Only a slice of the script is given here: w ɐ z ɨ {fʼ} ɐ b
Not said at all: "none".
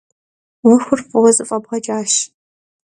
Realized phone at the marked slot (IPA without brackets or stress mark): fʼ